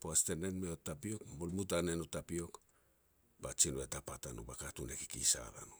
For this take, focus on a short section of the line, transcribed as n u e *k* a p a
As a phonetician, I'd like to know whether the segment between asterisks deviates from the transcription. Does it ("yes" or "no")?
yes